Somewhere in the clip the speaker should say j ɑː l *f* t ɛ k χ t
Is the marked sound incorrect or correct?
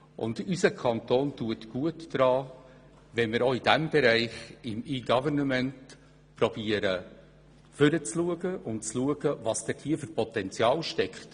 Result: incorrect